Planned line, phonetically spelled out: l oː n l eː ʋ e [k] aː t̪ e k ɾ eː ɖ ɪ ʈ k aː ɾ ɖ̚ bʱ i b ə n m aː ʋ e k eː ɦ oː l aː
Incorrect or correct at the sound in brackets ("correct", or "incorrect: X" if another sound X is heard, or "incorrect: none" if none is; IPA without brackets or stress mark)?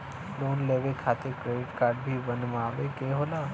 incorrect: kʰ